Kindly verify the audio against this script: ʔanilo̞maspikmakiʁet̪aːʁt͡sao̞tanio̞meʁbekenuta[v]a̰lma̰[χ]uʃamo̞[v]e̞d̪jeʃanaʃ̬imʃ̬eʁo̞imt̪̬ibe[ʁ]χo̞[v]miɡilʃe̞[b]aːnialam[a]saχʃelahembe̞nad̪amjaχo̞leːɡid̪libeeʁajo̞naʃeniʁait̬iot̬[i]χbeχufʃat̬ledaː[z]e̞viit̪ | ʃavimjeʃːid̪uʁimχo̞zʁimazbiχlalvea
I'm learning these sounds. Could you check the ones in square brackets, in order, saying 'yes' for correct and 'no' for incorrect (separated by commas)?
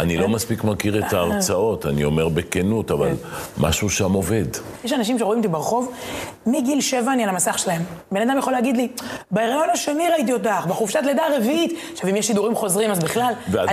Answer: yes, no, yes, yes, yes, no, yes, no, no